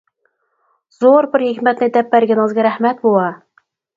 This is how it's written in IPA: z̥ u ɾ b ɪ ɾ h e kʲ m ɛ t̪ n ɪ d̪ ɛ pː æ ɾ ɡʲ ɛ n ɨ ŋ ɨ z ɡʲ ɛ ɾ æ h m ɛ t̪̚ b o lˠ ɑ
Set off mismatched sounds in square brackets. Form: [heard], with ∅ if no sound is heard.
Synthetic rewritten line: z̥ [o] ɾ b ɪ ɾ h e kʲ m ɛ t̪ n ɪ d̪ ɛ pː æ ɾ ɡʲ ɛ n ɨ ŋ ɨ z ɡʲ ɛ ɾ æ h m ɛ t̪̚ b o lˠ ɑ